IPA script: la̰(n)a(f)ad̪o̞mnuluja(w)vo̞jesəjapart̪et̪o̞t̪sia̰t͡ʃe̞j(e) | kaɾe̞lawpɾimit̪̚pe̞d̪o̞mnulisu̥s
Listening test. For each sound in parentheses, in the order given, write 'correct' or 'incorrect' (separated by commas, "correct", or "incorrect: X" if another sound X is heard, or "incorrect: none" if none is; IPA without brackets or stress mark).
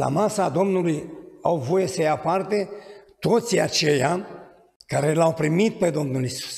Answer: incorrect: m, incorrect: s, correct, incorrect: a